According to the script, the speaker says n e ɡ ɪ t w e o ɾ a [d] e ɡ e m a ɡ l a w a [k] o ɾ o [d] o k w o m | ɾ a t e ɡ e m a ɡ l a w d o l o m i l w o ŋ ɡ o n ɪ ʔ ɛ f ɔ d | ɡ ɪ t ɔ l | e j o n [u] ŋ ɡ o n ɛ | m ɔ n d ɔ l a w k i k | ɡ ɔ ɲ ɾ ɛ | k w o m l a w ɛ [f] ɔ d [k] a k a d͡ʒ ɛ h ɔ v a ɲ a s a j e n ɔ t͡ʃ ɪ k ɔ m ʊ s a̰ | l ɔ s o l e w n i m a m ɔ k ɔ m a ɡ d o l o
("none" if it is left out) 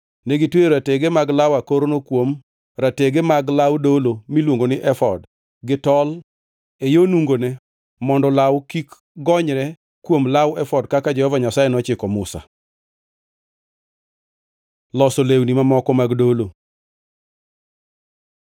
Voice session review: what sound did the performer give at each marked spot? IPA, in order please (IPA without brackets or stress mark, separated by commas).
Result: t, k, n, u, f, k